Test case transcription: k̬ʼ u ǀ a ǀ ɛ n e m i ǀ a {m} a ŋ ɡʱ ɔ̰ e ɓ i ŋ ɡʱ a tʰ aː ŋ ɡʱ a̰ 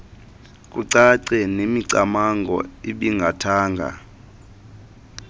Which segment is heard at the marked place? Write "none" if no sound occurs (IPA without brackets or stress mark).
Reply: m